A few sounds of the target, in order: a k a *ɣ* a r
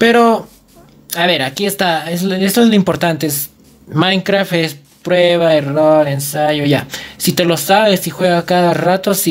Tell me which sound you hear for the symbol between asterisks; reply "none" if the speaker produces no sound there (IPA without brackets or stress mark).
ð